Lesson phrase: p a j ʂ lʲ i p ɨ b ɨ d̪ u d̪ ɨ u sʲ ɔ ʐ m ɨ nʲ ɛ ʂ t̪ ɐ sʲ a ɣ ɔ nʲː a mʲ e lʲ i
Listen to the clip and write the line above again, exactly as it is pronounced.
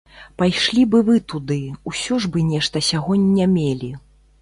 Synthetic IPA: p a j ʂ lʲ i b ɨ v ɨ t̪ u d̪ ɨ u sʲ ɔ ʐ b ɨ nʲ ɛ ʂ t̪ ɐ sʲ a ɣ ɔ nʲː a mʲ e lʲ i